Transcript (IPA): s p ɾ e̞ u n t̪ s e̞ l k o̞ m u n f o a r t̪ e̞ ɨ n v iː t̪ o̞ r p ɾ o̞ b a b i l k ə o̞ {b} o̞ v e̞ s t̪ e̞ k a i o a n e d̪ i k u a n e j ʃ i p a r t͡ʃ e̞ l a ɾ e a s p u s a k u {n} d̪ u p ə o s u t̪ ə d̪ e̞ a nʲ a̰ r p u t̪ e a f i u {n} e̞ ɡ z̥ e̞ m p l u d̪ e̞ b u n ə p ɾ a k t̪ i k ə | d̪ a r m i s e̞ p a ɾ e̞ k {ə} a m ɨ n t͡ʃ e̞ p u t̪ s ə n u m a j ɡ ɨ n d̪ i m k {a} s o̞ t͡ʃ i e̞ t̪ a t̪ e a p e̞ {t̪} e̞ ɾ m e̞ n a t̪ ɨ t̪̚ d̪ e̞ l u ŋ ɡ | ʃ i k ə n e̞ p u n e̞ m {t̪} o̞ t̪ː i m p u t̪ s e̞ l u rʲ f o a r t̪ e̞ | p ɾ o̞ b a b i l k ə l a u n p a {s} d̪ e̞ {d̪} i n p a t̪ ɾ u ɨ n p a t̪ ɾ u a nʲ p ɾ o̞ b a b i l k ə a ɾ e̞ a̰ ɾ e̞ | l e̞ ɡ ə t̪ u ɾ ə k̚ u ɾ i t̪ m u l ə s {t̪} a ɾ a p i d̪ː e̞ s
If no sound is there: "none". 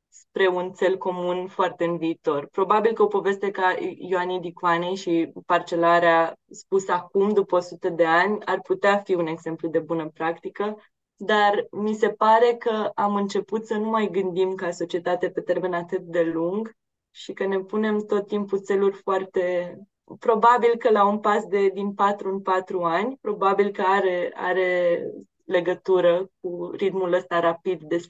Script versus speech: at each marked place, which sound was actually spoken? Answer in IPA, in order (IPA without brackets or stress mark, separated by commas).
p, m, n, ə, a, t̪, t̪, s, d̪, t̪